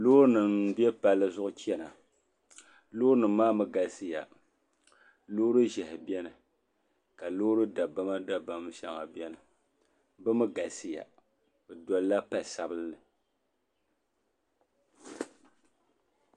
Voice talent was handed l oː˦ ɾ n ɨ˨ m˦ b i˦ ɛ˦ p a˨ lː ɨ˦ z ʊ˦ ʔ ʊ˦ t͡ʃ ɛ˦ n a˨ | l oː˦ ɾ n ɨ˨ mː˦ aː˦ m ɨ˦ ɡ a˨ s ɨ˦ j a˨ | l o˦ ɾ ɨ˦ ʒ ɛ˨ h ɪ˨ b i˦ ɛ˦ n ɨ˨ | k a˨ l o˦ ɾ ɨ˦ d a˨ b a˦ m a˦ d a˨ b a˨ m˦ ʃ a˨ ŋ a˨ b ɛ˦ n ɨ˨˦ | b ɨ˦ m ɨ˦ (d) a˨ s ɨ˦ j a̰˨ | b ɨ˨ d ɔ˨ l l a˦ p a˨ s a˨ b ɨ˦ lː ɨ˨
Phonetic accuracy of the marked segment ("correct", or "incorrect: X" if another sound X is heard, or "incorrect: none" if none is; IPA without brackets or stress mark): incorrect: ɡ